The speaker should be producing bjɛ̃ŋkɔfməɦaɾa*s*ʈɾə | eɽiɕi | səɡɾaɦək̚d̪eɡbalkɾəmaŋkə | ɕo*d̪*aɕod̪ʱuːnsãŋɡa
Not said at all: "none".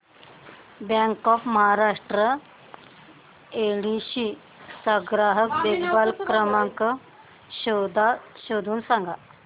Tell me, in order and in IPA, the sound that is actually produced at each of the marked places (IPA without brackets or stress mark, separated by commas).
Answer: ʂ, d̪